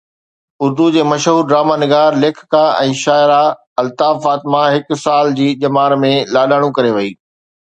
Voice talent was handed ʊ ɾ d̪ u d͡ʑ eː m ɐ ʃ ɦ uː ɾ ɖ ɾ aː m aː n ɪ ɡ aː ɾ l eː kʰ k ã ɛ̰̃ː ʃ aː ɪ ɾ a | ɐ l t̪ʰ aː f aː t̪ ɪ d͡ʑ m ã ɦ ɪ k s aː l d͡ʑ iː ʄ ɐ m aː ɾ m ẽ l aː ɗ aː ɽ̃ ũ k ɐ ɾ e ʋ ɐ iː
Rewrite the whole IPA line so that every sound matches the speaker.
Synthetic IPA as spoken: ʊ ɾ d̪ u d͡ʑ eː m ɐ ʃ ɦ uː ɾ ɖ ɾ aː m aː n ɪ ɡ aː ɾ l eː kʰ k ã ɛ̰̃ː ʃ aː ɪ ɾ a | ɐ l t̪ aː f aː t̪ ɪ m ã ɦ ɪ k s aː l d͡ʑ iː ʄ ɐ m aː ɾ m ẽ l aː ɗ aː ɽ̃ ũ k ɐ ɾ e ʋ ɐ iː